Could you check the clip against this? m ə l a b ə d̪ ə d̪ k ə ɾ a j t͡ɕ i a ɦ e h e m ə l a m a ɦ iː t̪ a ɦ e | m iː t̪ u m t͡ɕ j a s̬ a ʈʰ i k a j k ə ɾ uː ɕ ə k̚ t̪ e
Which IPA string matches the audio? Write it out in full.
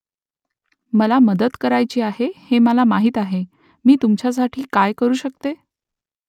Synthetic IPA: m ə l a m ə d̪ ə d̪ k ə ɾ a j t͡ɕ iː a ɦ e h e m ə l a m a ɦ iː t̪ a ɦ e | m iː t̪ u m t͡ɕ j a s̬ a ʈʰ iː k a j k ə ɾ uː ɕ ə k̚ t̪ e